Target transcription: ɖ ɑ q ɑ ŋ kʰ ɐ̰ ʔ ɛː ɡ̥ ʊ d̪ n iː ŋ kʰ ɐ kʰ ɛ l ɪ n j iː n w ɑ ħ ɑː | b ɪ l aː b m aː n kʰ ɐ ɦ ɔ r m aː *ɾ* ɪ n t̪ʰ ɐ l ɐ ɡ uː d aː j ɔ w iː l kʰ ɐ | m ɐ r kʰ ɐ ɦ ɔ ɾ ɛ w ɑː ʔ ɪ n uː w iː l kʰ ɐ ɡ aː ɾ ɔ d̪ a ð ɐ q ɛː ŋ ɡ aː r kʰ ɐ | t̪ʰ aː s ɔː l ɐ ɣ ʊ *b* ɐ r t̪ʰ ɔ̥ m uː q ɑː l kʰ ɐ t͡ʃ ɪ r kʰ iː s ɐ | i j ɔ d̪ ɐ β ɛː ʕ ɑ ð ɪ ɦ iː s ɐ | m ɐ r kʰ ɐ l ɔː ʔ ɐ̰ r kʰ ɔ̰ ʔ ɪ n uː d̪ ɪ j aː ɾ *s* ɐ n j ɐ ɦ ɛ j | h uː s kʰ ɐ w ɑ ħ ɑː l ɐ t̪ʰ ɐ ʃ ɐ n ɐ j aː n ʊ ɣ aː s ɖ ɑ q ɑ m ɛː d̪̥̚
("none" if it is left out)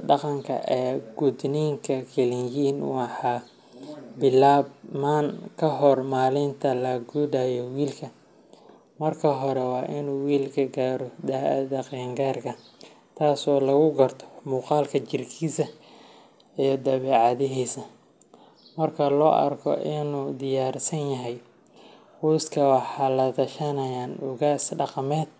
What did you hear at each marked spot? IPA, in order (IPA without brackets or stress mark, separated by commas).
l, ɡ, s